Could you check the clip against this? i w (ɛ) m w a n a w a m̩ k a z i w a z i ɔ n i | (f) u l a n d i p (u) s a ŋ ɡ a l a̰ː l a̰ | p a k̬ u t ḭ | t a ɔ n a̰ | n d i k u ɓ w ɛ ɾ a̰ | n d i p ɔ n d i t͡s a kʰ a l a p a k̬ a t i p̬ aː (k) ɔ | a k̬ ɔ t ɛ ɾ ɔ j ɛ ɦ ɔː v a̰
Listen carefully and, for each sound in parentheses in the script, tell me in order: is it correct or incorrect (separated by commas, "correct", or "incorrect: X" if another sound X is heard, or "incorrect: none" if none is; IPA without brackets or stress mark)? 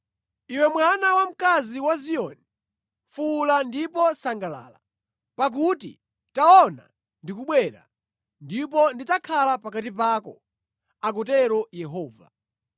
correct, correct, incorrect: ɔ, correct